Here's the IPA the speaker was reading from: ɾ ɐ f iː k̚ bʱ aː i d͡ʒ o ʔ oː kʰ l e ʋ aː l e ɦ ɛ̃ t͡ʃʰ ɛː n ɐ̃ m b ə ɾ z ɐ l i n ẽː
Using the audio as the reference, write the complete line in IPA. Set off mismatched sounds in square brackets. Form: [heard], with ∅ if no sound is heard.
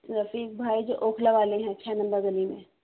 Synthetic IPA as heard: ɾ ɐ f iː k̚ bʱ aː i d͡ʒ o ʔ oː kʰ l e ʋ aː l e ɦ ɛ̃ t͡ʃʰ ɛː n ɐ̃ m b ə ɾ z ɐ l i [m] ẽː